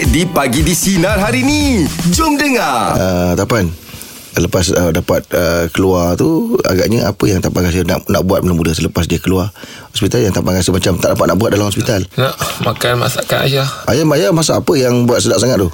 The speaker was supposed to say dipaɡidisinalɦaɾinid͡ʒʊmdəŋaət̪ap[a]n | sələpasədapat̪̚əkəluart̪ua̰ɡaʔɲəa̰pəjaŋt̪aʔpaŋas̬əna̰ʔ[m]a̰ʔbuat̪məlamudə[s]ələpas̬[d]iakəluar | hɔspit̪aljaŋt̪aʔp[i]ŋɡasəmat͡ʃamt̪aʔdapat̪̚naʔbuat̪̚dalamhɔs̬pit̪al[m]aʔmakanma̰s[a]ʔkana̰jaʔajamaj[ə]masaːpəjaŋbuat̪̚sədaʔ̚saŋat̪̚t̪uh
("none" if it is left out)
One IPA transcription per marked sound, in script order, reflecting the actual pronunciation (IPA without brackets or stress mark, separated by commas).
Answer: a, n, s, d, a, n, a, a